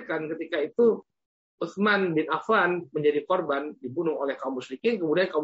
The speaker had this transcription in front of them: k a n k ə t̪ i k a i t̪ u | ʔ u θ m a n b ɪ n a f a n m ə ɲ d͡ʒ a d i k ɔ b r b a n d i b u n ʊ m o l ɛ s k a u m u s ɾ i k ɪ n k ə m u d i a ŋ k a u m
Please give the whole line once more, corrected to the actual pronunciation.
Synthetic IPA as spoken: k a n k ə t̪ i k a i t̪ u | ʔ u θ m a n b ɪ n a f a n m ə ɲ d͡ʒ a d i k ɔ r b a n d i b u n ʊ ŋ o l ɛ h k a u m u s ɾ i k ɪ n k ə m u d i a n k a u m